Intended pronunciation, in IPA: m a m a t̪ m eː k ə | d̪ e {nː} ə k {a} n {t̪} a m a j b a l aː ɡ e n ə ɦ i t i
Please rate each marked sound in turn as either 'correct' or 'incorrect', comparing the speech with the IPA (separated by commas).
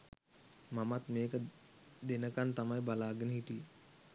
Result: incorrect, correct, correct